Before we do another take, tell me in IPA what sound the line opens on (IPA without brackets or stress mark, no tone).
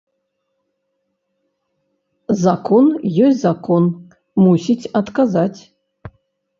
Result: z